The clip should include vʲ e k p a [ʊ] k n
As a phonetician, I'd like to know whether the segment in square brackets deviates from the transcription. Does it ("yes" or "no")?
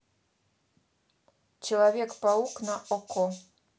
yes